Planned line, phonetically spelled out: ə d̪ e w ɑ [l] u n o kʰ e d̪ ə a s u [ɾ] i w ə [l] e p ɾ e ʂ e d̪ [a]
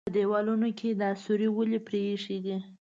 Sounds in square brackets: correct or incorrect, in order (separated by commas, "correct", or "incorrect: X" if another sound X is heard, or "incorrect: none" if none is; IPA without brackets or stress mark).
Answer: correct, correct, correct, incorrect: i